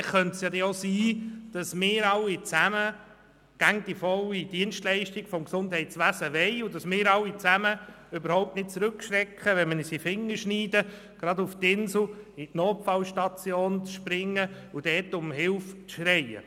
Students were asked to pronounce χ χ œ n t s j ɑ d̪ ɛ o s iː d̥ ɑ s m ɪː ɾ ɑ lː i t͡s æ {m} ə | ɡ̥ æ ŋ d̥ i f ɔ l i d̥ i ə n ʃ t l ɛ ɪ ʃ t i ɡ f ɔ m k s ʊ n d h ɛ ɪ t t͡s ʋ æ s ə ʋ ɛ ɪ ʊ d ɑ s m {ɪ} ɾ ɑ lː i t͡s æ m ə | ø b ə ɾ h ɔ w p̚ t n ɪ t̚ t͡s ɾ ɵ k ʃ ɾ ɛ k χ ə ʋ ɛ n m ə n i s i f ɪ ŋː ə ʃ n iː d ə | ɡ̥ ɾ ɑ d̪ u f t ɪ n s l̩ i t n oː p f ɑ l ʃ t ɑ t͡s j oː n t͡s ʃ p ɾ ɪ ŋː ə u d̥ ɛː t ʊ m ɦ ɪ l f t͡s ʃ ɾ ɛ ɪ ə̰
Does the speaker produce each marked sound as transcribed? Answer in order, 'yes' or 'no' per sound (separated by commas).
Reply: yes, no